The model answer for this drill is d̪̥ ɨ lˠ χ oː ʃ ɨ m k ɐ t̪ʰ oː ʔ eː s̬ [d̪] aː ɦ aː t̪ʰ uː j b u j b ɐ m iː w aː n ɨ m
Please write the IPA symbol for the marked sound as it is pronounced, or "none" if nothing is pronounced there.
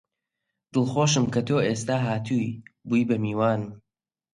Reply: t̪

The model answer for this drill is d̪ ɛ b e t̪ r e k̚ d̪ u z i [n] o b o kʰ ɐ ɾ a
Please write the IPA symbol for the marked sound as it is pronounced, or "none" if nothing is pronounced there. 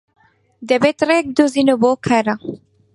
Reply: n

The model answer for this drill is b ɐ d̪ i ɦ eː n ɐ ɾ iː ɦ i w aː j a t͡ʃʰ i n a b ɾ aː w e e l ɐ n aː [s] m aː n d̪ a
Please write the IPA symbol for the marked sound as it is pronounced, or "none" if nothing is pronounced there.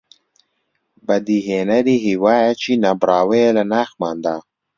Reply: x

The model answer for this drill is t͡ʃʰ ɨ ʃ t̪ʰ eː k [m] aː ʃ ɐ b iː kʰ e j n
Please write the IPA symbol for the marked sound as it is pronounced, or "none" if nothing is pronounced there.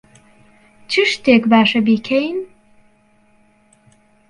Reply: b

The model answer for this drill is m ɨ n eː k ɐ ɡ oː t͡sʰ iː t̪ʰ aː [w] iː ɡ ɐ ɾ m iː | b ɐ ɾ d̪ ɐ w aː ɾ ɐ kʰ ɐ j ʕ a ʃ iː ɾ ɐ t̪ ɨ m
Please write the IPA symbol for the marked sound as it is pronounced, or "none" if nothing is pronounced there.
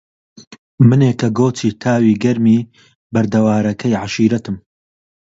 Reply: w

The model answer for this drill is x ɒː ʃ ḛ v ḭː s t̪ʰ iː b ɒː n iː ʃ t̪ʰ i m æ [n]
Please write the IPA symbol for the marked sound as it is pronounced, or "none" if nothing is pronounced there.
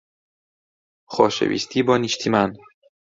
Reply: n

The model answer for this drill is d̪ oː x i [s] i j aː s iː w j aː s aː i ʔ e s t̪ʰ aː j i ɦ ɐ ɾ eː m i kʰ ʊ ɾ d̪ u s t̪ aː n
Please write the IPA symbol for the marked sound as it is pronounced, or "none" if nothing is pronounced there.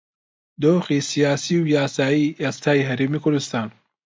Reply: s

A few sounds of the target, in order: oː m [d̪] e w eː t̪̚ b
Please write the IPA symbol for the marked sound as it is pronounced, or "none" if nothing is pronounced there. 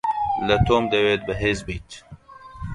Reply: d̪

